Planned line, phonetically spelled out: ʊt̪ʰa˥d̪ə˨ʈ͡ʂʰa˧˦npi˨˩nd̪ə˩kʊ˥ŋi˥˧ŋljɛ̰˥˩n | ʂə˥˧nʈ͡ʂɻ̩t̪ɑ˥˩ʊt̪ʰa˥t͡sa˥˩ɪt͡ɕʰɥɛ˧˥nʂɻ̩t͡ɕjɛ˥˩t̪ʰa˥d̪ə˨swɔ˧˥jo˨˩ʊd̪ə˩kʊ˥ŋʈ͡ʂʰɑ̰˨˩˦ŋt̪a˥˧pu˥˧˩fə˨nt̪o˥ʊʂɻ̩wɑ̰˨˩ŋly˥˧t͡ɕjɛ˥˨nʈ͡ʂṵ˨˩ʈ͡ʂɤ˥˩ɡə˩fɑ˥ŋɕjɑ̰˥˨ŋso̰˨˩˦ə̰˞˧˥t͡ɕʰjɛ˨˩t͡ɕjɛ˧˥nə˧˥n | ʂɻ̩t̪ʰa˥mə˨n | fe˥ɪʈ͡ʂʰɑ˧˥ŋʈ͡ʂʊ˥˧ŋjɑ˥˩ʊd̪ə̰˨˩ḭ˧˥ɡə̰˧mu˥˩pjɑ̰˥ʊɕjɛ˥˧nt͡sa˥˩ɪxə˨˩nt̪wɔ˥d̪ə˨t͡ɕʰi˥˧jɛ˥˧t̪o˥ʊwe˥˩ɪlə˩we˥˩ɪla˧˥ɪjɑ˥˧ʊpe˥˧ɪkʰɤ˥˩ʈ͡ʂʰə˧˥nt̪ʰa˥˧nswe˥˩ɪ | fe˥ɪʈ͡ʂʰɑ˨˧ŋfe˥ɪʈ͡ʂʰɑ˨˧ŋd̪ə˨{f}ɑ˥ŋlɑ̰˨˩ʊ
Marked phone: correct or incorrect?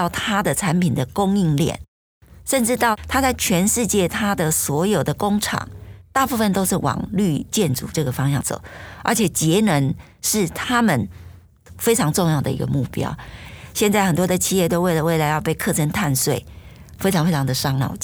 incorrect